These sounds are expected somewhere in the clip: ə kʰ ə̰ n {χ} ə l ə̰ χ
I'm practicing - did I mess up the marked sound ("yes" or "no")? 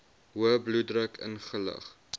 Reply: no